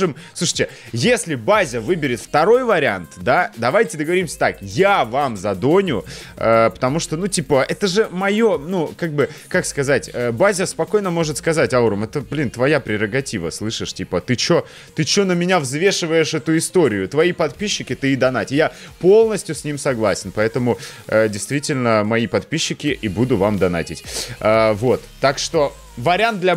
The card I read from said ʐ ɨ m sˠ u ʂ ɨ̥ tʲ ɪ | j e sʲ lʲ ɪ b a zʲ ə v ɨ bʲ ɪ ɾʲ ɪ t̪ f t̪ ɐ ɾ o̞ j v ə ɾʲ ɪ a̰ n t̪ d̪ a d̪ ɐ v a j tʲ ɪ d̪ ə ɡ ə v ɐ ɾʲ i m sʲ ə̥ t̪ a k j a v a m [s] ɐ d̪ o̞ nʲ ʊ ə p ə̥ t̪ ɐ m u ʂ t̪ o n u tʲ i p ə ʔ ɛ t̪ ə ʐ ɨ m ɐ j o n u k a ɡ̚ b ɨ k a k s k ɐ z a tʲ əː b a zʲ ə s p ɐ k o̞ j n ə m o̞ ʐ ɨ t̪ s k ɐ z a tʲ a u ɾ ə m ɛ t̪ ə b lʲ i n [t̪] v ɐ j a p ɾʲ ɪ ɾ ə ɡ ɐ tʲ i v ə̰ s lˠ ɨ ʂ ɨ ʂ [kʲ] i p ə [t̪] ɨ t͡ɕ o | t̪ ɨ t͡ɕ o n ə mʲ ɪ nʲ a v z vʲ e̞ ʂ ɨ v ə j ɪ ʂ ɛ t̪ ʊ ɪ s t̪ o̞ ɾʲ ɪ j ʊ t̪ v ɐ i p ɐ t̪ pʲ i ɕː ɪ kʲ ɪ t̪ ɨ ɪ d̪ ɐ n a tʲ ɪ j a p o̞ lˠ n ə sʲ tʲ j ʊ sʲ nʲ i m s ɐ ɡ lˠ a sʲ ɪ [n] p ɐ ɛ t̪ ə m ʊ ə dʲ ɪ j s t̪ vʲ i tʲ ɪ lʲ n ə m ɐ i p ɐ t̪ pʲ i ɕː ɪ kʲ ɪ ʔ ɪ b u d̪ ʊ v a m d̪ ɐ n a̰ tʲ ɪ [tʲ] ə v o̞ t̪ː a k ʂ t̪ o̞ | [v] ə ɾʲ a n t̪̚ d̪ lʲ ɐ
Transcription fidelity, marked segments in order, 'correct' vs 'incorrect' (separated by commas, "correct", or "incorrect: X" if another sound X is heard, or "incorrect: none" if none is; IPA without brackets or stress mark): incorrect: z, correct, incorrect: tʲ, correct, correct, correct, correct